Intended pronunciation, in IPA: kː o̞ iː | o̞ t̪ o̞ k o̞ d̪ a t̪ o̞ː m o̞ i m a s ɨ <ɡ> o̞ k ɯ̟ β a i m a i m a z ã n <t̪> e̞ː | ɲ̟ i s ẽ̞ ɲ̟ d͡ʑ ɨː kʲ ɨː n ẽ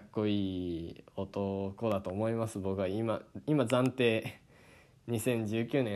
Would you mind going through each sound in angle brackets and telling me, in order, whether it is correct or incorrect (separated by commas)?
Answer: incorrect, correct